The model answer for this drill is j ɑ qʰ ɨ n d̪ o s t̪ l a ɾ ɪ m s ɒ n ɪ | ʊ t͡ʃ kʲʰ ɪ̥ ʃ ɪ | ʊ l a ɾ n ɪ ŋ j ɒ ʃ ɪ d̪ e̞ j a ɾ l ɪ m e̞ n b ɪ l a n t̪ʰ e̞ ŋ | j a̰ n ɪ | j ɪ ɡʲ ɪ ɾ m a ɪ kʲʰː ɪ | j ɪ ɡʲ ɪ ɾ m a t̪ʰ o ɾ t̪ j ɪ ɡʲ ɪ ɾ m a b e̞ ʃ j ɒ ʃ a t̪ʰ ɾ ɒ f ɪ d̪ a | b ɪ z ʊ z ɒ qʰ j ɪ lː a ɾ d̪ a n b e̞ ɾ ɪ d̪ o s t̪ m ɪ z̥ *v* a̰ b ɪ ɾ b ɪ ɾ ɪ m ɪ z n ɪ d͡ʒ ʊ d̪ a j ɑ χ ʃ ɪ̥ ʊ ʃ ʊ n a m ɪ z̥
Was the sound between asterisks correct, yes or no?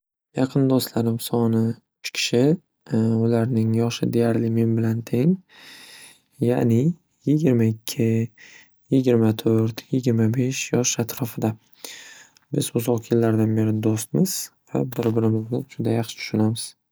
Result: yes